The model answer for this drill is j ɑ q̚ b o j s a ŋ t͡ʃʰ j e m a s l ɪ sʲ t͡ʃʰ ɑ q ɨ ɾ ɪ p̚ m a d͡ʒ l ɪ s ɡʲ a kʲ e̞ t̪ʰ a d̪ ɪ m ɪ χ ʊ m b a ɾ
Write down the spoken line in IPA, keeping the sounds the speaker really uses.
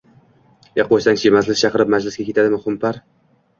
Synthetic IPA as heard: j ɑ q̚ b o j s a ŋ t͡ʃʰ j e m a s l ɪ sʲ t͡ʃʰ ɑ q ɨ ɾ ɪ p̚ m a d͡ʒ l ɪ s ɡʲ a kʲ e̞ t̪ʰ a d̪ ɪ m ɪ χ ʊ m p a ɾ